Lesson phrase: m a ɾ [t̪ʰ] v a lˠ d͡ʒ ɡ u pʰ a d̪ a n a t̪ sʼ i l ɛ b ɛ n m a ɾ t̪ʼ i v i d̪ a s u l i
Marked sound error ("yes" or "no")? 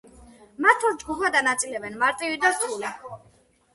no